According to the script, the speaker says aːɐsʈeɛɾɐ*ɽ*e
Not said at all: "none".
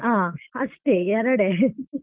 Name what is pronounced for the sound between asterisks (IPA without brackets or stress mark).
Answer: ɽ